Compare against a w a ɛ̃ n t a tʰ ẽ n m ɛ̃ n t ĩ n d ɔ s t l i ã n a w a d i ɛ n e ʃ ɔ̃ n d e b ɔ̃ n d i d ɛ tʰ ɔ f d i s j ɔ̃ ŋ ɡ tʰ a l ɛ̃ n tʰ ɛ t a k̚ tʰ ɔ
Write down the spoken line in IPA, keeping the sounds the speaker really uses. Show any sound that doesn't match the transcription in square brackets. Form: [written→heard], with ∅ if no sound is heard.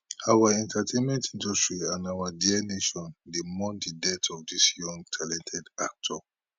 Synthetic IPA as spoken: a w a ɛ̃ n t a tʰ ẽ n m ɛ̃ n t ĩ n d ɔ s t [l→ɹ] i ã n a w a d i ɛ n e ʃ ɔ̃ n d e [b→m] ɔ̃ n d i d ɛ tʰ ɔ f d i s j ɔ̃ ŋ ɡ tʰ a l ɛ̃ n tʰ ɛ [t→d] a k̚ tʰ ɔ